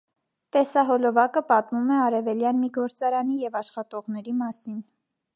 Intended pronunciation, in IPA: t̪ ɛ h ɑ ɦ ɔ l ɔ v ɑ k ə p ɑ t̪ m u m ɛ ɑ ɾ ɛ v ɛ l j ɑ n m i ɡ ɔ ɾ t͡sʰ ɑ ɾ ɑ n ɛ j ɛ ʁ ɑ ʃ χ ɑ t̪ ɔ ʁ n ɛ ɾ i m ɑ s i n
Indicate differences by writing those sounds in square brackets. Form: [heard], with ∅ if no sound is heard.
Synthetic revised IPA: t̪ ɛ [s] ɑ ɦ ɔ l ɔ v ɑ k ə p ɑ t̪ m u m ɛ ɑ ɾ ɛ v ɛ l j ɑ n m i ɡ ɔ ɾ [t͡s] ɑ ɾ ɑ n [i] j ɛ [v] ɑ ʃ χ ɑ t̪ ɔ ʁ n ɛ ɾ i m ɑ s i n